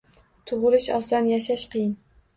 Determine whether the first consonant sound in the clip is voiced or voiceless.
voiceless